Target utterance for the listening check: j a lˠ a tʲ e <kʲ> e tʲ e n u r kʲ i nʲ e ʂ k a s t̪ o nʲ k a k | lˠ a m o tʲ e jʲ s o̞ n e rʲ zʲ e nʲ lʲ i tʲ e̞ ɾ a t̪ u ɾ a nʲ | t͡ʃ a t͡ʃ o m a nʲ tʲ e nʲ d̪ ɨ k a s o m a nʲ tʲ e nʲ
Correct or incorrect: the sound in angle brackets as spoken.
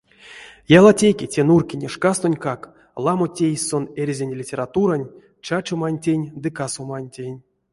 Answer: correct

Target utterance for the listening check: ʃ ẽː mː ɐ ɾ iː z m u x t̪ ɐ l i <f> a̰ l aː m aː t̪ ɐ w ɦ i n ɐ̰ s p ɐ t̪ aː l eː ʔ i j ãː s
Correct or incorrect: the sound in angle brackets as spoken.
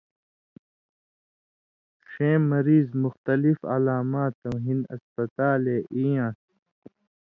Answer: correct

